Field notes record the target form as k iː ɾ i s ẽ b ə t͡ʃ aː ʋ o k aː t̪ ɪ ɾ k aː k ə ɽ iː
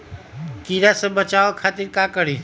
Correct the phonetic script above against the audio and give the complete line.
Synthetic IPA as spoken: k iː ɾ a s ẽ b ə t͡ʃ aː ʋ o kʰ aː t̪ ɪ ɾ k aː k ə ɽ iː